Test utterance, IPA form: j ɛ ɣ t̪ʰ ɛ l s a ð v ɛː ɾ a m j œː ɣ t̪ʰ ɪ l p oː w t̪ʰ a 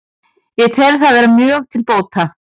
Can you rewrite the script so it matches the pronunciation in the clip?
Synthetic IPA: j ɛ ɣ t̪ʰ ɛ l θ a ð v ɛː ɾ a m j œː ɣ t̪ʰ ɪ l p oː w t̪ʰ a